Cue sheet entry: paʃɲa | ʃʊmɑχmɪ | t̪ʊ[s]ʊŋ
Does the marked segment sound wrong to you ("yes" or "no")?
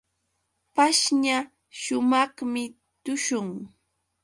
yes